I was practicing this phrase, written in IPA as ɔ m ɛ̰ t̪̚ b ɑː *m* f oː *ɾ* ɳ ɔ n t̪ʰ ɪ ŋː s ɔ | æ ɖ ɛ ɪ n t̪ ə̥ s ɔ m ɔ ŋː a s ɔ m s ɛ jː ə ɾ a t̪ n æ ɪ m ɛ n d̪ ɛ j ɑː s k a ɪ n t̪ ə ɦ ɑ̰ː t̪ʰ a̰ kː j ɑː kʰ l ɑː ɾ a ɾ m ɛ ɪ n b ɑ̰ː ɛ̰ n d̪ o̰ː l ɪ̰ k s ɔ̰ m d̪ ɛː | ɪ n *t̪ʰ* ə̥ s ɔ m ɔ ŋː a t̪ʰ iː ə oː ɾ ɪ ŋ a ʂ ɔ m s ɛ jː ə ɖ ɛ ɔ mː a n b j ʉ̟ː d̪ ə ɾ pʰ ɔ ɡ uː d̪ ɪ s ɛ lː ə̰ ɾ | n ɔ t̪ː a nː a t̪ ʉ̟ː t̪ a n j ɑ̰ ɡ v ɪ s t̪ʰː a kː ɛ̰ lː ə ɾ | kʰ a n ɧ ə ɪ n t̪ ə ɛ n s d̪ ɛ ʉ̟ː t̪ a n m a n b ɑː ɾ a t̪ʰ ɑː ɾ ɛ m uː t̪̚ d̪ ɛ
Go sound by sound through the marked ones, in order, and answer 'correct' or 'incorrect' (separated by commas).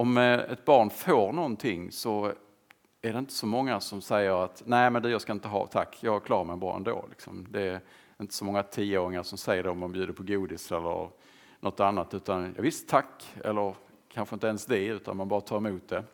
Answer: incorrect, correct, incorrect